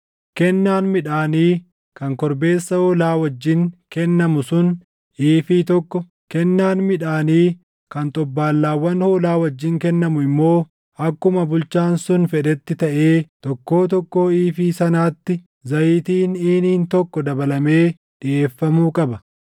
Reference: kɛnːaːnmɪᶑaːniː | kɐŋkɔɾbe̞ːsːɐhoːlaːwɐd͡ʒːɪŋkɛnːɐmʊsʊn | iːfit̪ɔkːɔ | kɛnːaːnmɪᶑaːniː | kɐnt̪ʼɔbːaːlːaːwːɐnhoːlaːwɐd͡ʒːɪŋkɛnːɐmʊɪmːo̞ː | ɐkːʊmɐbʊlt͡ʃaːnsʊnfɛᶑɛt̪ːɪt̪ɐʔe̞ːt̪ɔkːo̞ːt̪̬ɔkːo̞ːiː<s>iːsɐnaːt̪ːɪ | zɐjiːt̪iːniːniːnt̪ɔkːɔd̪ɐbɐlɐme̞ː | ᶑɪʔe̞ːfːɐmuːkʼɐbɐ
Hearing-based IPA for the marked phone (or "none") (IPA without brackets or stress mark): f